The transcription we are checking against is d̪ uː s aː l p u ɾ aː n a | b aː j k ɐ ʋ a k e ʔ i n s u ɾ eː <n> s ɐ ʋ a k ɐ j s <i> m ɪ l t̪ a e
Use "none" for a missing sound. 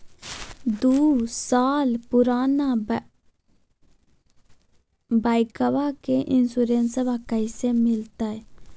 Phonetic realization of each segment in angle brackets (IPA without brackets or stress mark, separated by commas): n, e